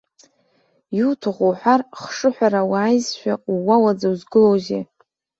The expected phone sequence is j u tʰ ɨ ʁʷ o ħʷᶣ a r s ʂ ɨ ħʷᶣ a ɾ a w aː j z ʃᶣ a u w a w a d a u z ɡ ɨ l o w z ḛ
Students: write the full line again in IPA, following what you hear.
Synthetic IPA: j u tʰ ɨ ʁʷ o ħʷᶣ a r χ ʂ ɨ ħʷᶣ a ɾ a w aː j z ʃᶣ a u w a w a d͡z a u z ɡ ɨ l o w z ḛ